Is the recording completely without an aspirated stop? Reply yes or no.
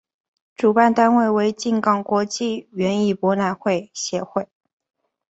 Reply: yes